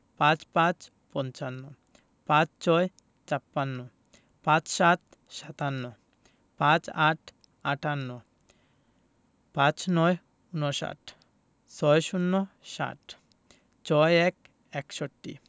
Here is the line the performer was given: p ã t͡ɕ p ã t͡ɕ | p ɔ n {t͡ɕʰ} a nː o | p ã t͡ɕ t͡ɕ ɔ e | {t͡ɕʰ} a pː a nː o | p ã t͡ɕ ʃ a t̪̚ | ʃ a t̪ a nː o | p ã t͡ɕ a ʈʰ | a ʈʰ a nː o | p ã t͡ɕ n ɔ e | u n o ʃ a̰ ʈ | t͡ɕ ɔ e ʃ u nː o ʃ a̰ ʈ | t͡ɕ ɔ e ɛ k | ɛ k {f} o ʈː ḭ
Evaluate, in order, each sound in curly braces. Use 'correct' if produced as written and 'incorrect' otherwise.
incorrect, incorrect, incorrect

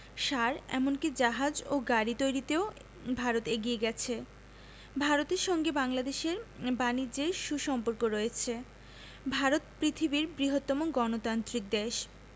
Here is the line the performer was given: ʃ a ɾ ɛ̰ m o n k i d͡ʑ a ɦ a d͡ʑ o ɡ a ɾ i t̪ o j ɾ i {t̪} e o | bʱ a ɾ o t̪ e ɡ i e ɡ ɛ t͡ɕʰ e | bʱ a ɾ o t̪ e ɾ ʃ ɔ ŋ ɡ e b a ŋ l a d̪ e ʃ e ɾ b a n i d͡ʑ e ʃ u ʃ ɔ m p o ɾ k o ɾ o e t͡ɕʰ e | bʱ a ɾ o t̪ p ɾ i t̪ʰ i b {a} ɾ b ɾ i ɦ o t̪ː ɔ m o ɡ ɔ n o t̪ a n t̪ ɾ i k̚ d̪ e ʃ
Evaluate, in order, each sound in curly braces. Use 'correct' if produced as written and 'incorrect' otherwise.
correct, incorrect

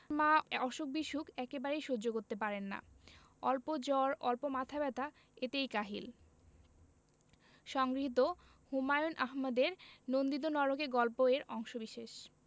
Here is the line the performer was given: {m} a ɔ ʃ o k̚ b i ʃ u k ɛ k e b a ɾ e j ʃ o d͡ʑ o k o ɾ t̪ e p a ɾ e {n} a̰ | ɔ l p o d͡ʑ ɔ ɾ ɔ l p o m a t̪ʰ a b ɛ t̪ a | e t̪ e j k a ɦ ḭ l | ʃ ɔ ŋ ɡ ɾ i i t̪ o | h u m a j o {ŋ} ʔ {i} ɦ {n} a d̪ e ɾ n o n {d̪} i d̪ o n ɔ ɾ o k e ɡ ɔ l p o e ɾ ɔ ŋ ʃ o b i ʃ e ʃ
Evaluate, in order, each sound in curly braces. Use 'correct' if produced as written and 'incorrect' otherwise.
correct, incorrect, incorrect, incorrect, incorrect, correct

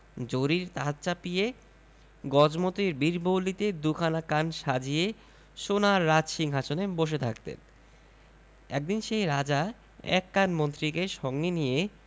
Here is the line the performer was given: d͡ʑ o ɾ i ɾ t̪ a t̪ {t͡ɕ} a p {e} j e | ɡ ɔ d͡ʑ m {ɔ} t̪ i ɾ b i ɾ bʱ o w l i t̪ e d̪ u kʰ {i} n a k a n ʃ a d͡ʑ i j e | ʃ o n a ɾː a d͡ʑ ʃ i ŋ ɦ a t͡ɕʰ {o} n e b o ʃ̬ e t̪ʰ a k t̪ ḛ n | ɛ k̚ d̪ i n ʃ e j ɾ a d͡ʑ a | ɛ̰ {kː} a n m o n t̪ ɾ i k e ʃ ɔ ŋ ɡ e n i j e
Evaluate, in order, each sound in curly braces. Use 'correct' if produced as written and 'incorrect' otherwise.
correct, incorrect, incorrect, incorrect, correct, correct

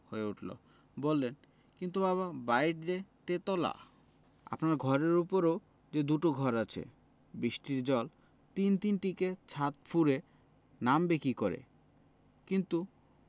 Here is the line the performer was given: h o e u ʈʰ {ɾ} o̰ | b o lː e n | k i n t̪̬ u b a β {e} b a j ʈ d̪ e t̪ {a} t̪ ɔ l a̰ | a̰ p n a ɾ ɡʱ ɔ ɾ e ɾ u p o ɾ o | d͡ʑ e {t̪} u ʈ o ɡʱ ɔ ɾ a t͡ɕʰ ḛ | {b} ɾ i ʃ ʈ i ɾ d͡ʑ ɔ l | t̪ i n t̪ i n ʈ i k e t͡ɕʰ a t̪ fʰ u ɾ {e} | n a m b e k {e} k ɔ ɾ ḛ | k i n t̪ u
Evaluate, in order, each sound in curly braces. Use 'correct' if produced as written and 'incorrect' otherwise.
incorrect, incorrect, incorrect, incorrect, correct, correct, incorrect

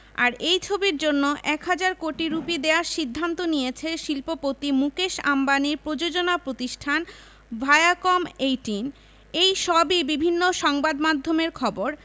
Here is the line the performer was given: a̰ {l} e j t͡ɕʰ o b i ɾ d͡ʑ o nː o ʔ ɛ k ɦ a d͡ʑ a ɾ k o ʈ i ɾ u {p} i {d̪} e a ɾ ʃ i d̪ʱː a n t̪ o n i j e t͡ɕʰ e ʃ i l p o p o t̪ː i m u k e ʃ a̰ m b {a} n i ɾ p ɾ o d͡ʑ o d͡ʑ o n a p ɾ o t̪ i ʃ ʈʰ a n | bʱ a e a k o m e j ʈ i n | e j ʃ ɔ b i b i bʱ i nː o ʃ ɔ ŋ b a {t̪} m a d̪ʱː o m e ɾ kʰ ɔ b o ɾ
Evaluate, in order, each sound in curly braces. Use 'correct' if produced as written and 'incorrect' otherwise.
incorrect, correct, correct, correct, incorrect

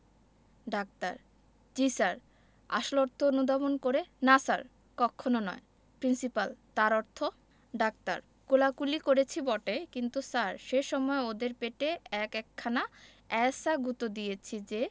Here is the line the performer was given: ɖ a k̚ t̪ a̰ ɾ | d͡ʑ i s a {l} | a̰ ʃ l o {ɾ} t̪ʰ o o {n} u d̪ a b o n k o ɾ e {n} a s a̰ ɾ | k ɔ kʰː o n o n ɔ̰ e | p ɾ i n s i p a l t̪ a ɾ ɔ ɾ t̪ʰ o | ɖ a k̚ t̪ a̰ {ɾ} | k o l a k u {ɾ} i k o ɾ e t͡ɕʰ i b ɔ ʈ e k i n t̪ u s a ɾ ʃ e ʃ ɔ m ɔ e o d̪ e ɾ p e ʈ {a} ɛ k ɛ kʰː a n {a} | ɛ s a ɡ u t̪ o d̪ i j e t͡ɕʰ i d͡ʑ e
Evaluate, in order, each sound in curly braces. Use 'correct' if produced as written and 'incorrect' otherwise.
incorrect, correct, correct, correct, correct, incorrect, incorrect, correct

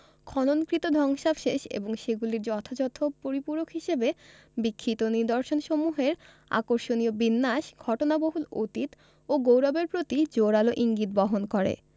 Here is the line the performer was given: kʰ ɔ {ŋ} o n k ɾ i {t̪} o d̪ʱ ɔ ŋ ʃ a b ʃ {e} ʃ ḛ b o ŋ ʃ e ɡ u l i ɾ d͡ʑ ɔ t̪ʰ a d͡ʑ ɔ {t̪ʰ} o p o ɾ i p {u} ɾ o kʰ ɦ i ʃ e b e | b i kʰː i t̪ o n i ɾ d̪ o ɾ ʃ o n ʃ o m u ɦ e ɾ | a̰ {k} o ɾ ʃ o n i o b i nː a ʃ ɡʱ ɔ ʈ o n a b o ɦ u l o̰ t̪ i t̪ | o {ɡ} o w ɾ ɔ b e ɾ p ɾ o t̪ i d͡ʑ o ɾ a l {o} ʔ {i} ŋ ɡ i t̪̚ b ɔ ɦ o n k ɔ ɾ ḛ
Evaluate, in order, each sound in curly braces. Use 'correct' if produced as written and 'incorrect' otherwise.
incorrect, correct, correct, correct, correct, correct, correct, correct, correct

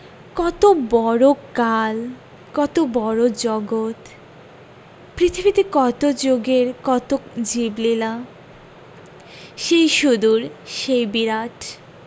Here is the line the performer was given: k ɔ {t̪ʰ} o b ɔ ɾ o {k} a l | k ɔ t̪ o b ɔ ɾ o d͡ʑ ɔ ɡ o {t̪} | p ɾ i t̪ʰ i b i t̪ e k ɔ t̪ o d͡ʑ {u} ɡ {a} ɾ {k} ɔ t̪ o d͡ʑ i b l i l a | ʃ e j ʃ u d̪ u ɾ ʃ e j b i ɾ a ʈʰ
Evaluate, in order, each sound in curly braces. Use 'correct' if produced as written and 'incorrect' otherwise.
incorrect, correct, correct, incorrect, incorrect, correct

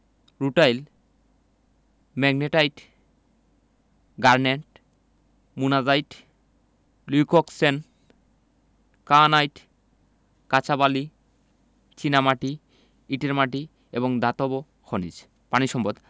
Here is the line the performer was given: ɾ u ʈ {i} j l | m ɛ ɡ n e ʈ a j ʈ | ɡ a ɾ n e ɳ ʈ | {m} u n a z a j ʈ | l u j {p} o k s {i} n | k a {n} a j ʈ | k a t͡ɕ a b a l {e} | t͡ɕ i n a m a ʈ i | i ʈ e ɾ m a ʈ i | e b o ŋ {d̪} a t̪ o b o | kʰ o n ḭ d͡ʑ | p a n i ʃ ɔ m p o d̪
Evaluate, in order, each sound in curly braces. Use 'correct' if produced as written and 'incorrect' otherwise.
incorrect, correct, incorrect, incorrect, correct, incorrect, correct

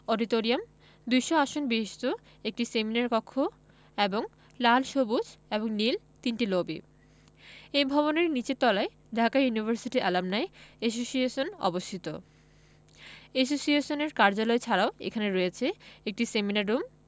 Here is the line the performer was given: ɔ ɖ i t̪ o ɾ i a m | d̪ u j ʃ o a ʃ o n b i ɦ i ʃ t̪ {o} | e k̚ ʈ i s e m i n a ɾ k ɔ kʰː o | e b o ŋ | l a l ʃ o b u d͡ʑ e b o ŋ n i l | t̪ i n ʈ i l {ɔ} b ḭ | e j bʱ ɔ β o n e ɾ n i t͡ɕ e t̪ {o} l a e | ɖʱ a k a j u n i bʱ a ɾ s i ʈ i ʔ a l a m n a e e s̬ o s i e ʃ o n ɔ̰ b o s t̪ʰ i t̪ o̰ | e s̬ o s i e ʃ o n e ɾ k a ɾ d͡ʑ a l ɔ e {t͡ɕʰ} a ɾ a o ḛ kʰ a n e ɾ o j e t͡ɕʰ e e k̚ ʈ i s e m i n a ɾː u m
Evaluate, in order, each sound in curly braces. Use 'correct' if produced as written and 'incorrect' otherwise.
correct, incorrect, incorrect, correct

